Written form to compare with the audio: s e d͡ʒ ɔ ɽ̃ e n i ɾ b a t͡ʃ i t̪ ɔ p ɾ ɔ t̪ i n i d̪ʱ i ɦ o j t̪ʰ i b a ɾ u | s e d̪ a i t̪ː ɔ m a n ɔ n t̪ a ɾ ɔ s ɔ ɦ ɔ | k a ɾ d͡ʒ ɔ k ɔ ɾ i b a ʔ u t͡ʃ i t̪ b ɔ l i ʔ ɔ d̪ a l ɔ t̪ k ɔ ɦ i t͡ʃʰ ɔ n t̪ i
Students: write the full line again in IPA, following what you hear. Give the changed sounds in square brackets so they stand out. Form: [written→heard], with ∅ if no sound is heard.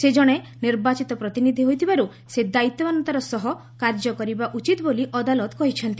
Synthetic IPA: s e d͡ʒ ɔ ɽ̃ e n i ɾ b a t͡ʃ i t̪ ɔ p ɾ ɔ t̪ i n i d̪ʱ i ɦ o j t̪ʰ i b a ɾ u | s e d̪ a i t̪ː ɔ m a n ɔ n t̪ a ɾ ɔ s ɔ ɦ ɔ | k a ɾ d͡ʒ ɔ k ɔ ɾ i b a ʔ u t͡ʃ i t̪ b [ɔ→o] l i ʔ ɔ d̪ a l ɔ t̪ k ɔ ɦ i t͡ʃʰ ɔ n t̪ i